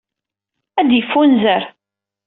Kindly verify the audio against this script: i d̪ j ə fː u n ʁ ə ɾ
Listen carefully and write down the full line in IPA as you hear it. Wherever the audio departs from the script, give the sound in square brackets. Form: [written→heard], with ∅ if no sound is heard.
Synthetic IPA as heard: [i→æ] d̪ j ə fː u n [ʁ→z] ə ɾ